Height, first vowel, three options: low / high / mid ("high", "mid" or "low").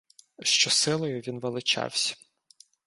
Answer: mid